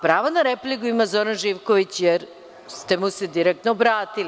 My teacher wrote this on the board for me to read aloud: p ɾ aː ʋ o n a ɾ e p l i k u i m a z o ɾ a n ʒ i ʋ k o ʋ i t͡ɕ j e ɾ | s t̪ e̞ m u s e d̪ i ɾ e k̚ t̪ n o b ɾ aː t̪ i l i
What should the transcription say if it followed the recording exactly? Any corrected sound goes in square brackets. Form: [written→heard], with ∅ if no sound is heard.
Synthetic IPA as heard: p ɾ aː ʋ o n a ɾ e p l i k u i m a z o ɾ a n ʒ i ʋ k o ʋ i t͡ɕ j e ɾ | s t̪ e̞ m u s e d̪ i ɾ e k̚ t̪ n o b ɾ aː t̪ i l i